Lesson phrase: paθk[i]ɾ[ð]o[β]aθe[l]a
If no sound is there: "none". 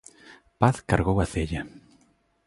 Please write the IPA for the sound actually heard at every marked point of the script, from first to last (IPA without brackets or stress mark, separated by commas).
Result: a, ɣ, w, ʎ